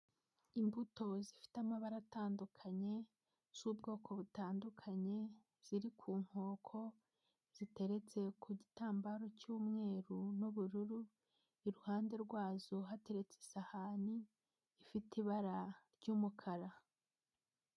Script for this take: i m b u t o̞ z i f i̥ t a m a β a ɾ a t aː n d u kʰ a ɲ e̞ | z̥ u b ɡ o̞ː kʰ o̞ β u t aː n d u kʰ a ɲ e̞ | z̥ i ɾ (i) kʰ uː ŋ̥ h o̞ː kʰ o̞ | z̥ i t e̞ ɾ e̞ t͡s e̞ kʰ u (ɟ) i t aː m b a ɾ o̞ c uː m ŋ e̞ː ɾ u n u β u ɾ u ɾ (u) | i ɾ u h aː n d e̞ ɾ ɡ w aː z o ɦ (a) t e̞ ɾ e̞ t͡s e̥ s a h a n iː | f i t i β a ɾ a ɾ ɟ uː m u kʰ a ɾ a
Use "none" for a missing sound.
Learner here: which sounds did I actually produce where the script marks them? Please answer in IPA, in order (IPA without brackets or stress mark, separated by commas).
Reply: i, ɟ, u, a